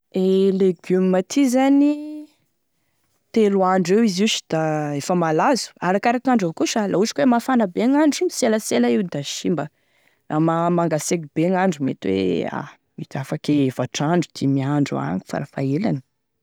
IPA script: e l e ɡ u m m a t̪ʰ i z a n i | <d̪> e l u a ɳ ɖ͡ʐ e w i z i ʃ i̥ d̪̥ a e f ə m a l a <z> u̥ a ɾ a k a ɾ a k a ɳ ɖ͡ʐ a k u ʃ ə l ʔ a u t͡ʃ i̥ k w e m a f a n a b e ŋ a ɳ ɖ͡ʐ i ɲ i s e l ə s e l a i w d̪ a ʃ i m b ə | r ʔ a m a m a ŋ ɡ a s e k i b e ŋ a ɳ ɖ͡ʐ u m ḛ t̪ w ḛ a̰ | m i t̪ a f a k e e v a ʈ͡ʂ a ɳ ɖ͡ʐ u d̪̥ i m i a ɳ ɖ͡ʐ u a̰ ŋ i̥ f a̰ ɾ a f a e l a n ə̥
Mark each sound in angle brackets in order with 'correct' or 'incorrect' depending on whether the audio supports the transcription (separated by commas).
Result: incorrect, correct